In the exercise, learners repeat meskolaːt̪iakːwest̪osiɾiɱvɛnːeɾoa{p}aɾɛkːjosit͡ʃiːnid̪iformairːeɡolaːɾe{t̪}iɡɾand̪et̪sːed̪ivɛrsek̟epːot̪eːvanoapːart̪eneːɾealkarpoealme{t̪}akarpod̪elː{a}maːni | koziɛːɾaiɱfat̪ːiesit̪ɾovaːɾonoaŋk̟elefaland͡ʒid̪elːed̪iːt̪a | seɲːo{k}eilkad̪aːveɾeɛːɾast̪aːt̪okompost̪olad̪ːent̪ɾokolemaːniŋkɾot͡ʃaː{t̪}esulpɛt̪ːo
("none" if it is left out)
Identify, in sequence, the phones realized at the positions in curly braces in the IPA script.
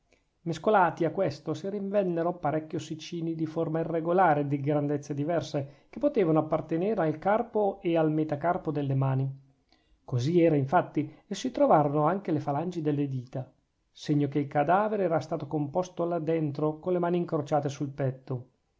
p, d̪, t̪, e, k, t̪

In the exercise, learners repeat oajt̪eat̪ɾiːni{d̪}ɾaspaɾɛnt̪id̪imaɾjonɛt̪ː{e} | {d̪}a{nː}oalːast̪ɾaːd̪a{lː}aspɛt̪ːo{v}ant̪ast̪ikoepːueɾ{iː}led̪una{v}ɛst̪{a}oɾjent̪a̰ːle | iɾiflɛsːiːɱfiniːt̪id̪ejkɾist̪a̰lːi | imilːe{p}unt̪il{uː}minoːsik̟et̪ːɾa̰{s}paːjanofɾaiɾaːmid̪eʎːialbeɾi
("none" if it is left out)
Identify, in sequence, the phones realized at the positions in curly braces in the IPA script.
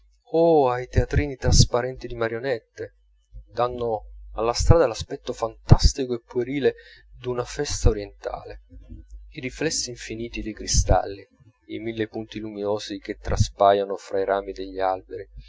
t̪, e, d̪, nː, l, f, iː, f, a, p, u, s

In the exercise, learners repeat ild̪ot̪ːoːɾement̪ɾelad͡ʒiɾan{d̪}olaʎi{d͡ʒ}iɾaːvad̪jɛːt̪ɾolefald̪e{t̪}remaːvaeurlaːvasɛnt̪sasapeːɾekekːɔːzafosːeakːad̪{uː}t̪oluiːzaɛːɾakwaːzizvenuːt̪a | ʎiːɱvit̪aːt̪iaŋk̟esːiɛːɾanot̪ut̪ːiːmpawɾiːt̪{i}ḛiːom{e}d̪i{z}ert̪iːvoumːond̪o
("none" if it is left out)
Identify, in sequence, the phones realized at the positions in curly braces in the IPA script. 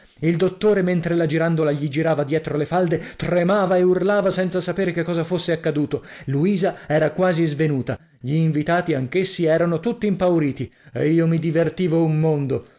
d̪, d͡ʒ, t̪, uː, i, i, v

